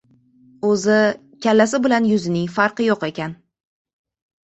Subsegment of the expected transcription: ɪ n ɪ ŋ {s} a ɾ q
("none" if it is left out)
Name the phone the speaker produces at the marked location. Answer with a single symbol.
f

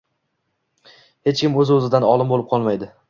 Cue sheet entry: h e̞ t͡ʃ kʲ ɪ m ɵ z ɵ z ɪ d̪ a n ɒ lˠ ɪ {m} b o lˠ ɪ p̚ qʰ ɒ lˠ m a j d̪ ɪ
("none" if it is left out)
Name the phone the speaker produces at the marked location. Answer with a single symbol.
m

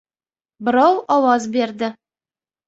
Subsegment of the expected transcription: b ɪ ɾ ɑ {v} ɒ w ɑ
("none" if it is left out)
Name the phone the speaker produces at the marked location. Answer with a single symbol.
w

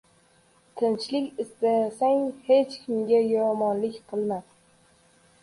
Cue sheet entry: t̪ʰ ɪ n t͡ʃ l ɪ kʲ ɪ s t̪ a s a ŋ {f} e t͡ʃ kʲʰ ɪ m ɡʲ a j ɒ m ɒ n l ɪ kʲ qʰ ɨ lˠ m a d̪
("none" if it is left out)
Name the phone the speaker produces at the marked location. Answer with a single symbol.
h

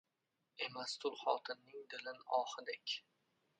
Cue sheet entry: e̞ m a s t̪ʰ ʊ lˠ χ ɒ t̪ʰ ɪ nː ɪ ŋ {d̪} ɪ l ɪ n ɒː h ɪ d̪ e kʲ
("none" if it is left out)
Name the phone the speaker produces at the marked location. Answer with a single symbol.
d̪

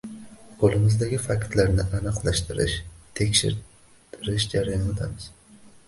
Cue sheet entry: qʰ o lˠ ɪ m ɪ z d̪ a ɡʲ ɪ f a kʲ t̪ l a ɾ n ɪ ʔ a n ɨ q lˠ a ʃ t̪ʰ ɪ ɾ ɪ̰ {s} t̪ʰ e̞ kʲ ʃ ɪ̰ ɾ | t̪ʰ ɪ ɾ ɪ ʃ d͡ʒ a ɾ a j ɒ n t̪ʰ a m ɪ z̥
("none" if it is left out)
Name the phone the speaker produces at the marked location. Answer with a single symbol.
ʃ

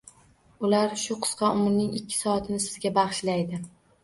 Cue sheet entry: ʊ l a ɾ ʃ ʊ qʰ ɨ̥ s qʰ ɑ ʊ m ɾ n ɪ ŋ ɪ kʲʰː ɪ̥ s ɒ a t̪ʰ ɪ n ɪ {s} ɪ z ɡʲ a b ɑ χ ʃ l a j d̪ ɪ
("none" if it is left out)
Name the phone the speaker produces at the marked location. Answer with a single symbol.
s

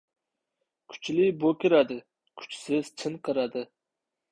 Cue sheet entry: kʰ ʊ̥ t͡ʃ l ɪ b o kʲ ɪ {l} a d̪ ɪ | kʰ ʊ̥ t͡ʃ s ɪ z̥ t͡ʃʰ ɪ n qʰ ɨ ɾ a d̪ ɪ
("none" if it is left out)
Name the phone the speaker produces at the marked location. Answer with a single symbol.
ɾ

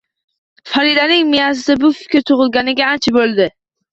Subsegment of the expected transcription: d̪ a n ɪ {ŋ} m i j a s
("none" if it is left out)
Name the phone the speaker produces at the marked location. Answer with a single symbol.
ŋ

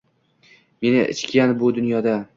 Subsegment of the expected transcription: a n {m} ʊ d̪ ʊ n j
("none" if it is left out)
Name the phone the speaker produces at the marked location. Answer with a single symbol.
b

